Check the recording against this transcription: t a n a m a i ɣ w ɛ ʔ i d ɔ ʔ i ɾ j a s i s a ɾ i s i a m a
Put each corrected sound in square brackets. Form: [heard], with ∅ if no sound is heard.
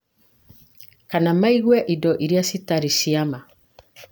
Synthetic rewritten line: [k] a n a m a i ɣ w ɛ ʔ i d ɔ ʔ i ɾ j a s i [t] a ɾ i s i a m a